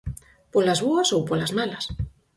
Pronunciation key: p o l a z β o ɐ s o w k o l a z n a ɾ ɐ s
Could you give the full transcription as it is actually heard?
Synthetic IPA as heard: p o l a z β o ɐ s o w p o l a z m a l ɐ s

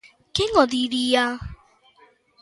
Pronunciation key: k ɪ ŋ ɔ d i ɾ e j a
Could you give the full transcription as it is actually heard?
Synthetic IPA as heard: k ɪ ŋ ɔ d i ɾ i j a

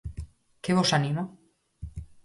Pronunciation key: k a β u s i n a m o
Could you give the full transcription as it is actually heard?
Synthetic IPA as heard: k e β o s a n i m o

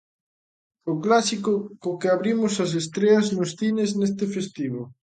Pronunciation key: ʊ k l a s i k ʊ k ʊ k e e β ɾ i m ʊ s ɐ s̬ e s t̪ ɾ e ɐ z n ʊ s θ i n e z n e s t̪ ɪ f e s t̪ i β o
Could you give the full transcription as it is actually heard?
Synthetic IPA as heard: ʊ k l a s i k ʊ k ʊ k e a β ɾ i m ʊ s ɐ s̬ e s t̪ ɾ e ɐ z n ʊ s θ i n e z n e s t̪ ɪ f e s t̪ i β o

